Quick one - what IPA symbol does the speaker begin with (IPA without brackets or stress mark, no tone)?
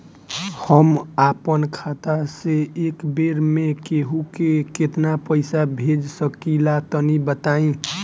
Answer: h